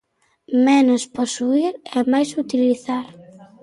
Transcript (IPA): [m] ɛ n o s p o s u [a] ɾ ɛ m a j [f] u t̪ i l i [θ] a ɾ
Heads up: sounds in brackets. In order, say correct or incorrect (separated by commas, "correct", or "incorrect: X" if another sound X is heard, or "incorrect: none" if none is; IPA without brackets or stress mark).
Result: correct, incorrect: i, incorrect: s, correct